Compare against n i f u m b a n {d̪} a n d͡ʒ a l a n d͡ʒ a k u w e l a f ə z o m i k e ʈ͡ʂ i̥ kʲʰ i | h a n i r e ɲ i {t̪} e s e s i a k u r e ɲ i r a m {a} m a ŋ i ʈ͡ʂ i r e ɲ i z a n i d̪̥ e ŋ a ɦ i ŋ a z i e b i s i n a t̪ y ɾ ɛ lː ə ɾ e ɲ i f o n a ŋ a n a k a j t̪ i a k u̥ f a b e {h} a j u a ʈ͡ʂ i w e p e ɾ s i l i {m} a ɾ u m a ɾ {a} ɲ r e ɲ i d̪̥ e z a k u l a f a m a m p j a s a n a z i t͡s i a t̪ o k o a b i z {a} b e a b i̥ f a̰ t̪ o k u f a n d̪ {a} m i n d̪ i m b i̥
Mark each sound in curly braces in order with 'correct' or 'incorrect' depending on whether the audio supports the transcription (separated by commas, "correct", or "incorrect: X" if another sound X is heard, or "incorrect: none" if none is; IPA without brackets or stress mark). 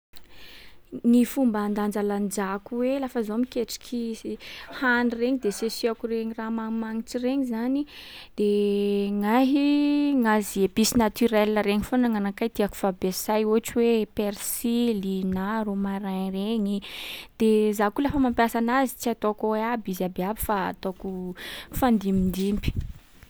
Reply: correct, incorrect: d̪, correct, incorrect: s, incorrect: n, correct, correct, incorrect: i